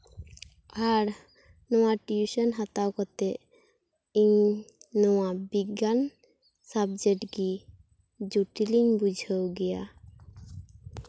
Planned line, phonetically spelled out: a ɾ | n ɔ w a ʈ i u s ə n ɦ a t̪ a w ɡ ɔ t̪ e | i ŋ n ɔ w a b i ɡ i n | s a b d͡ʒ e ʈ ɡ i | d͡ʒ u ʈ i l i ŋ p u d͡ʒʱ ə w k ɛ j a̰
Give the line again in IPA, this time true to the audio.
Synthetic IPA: a ɾ | n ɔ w a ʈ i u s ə n ɦ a t̪ a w k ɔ t̪ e | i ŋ n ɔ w a b i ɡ a n | s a b d͡ʒ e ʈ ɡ i | d͡ʒ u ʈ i l i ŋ b u d͡ʒʱ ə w ɡ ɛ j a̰